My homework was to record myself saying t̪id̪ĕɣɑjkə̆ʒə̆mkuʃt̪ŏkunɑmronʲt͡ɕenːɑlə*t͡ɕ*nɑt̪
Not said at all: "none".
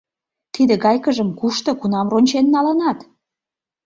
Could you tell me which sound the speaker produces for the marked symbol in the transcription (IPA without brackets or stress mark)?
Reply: none